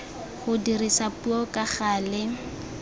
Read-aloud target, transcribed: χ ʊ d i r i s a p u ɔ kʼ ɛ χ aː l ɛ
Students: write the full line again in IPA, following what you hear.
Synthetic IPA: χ ʊ d i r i s a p u ɔ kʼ a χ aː l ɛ